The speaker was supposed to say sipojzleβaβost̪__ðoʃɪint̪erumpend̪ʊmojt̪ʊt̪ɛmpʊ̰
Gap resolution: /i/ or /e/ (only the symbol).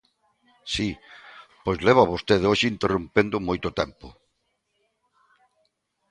e